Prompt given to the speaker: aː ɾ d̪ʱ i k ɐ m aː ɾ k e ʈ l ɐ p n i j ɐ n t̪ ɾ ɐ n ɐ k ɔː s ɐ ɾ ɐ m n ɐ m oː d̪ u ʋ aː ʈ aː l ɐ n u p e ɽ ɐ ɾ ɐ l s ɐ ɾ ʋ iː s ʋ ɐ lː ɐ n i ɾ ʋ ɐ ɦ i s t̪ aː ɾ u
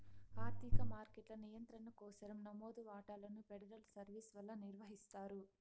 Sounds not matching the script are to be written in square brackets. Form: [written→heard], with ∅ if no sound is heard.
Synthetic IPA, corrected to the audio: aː ɾ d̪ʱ i k ɐ m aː ɾ k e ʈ l ɐ [p→∅] n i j ɐ n t̪ ɾ ɐ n ɐ k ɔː s ɐ ɾ ɐ m n ɐ m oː d̪ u ʋ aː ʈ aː l ɐ n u p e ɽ ɐ ɾ ɐ l s ɐ ɾ ʋ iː s ʋ ɐ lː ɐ n i ɾ ʋ ɐ ɦ i s t̪ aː ɾ u